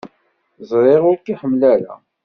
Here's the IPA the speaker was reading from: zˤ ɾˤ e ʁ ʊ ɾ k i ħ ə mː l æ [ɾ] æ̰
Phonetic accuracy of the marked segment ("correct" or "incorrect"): correct